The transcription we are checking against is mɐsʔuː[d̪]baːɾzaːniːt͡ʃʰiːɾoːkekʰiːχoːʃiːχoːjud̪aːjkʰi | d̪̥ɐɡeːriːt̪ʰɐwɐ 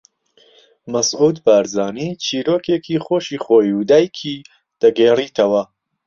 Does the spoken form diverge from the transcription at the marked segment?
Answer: no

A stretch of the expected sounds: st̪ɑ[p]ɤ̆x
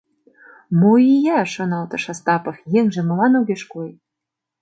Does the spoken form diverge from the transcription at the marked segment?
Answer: no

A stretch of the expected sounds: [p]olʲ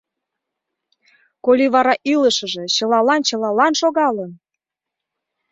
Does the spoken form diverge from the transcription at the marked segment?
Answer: yes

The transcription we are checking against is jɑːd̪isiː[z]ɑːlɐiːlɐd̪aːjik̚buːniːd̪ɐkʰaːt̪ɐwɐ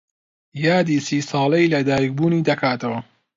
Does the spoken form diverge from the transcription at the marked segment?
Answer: yes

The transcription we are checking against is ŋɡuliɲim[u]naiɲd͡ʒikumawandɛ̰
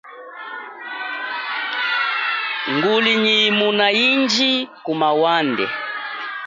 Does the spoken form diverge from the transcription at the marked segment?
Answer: no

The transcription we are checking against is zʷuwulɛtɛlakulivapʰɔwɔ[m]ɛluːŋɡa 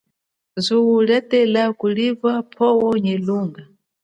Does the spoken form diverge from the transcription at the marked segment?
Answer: yes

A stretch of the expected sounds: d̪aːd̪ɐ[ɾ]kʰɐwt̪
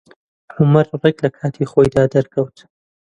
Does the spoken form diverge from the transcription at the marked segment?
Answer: no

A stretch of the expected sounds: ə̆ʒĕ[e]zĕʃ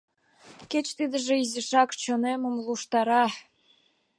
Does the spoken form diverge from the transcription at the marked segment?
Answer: yes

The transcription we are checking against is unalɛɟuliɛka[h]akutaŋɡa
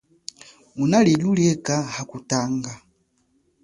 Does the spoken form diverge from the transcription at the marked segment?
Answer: no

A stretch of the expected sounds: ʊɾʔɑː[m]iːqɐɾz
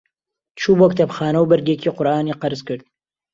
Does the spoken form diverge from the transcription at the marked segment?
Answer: yes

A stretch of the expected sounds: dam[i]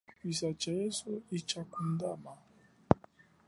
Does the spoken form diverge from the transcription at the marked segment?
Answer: yes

